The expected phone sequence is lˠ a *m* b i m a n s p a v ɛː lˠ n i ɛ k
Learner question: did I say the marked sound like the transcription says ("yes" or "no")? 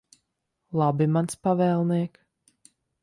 no